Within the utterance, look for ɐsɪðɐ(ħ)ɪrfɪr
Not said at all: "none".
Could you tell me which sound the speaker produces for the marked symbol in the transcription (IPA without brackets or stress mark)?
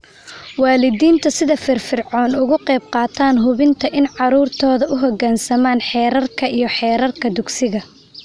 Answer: f